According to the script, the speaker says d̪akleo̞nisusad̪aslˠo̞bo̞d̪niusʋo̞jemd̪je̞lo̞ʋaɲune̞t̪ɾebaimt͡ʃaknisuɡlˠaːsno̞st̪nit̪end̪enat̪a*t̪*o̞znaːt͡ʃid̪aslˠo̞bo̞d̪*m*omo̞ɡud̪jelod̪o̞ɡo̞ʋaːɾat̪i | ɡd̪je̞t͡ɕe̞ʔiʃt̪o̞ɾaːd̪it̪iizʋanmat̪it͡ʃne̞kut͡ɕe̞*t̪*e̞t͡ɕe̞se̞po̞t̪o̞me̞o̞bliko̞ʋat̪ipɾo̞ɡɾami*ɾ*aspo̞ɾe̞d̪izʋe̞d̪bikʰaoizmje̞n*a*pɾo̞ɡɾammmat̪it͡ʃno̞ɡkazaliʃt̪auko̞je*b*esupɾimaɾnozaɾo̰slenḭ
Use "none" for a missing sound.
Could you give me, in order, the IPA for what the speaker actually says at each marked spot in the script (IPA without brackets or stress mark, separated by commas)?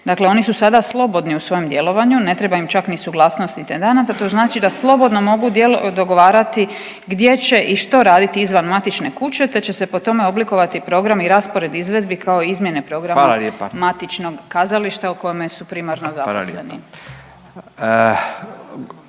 t̪, n, t̪, ɾ, e, m